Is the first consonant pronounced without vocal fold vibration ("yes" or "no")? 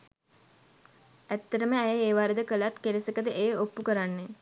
yes